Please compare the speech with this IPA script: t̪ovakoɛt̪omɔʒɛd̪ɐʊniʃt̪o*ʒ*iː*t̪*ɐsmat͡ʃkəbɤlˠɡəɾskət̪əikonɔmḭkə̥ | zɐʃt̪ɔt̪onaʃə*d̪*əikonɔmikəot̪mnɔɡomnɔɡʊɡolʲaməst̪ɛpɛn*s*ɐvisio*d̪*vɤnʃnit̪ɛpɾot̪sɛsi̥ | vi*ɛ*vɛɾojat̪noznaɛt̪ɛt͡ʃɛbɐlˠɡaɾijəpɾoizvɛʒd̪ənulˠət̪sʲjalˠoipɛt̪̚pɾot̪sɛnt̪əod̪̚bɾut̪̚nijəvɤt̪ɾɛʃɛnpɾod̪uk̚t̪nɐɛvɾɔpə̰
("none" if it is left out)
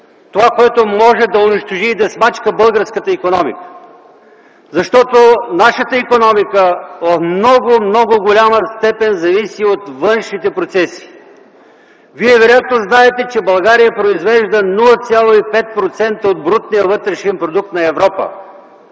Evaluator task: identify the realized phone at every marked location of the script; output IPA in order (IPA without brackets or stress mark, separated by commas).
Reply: ʒ, d̪, t̪, z, t̪, ɛ